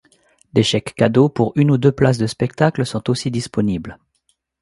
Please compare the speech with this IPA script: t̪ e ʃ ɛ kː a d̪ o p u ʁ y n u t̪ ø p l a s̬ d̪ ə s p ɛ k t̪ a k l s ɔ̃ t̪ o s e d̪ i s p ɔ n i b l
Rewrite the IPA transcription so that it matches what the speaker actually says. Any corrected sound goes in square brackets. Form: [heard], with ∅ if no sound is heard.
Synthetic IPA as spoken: [d̪] e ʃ ɛ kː a d̪ o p u ʁ y n u [d̪] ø p l a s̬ d̪ ə s p ɛ k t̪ a k l s ɔ̃ t̪ o s [i] d̪ i s p ɔ n i b l